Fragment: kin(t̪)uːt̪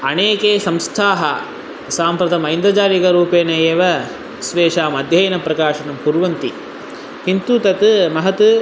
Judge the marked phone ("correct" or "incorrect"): correct